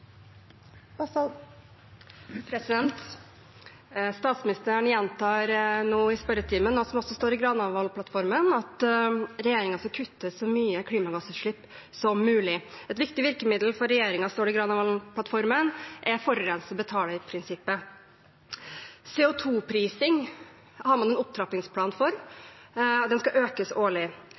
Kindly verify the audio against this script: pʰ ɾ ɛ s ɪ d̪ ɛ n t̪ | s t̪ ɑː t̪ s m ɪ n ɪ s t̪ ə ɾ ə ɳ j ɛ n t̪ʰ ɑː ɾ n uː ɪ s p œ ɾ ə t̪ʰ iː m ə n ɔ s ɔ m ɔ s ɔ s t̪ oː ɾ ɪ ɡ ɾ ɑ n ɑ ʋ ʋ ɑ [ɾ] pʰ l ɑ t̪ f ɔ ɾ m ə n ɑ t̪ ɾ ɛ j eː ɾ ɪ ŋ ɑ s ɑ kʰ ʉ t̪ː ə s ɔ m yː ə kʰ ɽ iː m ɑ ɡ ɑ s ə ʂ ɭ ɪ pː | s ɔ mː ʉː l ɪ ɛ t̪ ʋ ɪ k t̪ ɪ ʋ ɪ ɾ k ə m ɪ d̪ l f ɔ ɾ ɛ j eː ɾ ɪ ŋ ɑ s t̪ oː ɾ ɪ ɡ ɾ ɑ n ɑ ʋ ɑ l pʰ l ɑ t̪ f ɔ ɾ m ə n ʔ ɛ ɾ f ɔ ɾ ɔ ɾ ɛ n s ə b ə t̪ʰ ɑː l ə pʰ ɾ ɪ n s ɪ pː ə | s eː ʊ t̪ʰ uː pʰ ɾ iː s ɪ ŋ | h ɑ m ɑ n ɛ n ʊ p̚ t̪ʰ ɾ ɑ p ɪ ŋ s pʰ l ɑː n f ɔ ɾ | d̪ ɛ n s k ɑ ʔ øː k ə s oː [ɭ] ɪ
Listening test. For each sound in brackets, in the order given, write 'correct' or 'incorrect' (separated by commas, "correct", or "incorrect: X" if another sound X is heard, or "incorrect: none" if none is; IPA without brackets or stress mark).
incorrect: l, correct